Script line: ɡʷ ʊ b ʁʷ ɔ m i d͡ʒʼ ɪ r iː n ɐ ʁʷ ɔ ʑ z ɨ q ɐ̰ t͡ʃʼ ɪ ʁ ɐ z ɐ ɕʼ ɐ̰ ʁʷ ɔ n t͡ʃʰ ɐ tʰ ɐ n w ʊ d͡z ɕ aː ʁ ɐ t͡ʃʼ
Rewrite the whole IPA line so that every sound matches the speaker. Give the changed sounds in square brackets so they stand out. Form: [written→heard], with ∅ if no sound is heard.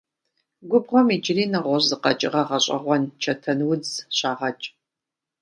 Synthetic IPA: ɡʷ ʊ b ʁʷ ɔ m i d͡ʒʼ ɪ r iː n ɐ ʁʷ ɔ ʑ z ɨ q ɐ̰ t͡ʃʼ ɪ ʁ ɐ [z→ʁ] ɐ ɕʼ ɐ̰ ʁʷ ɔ n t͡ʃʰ ɐ tʰ ɐ n w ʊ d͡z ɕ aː ʁ ɐ t͡ʃʼ